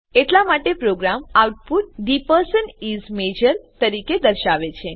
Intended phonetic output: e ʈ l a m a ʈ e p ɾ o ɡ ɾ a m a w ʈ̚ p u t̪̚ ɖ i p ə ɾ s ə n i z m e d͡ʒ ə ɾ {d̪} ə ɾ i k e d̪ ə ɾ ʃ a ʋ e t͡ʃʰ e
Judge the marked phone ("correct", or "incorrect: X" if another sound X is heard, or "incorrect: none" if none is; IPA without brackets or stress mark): incorrect: t̪